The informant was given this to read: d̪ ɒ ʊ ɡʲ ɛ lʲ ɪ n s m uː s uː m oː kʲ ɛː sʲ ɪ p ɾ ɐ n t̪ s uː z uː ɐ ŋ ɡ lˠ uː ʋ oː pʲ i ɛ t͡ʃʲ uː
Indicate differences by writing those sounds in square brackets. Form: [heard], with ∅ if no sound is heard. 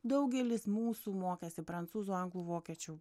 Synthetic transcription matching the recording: d̪ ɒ ʊ ɡʲ ɛ lʲ ɪ [∅] s m uː s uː m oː kʲ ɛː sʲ ɪ p ɾ ɐ n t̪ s uː z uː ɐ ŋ ɡ lˠ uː ʋ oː [kʲ] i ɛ t͡ʃʲ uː